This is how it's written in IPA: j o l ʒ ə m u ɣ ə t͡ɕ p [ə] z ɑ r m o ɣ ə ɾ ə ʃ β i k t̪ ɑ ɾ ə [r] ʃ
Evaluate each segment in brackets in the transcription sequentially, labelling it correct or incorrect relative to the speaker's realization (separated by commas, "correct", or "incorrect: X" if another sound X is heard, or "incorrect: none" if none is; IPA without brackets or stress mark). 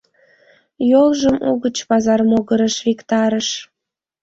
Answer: incorrect: ɑ, incorrect: none